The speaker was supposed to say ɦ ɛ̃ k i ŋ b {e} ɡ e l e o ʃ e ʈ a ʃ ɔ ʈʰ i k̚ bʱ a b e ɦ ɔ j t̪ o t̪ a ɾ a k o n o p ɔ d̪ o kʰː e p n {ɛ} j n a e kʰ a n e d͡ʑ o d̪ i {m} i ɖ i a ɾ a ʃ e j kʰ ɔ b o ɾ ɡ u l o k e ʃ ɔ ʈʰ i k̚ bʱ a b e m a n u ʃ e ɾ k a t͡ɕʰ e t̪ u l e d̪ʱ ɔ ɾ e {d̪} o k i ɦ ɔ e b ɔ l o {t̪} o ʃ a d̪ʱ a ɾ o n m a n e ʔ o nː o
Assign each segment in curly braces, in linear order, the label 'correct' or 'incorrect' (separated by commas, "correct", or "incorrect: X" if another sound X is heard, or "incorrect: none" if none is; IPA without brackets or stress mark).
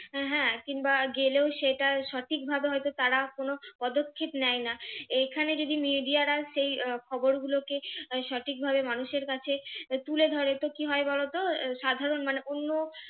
incorrect: a, correct, correct, incorrect: t̪, correct